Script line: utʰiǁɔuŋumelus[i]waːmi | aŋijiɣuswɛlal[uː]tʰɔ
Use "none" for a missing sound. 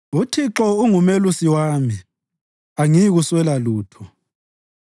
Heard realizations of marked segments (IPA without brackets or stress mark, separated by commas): i, uː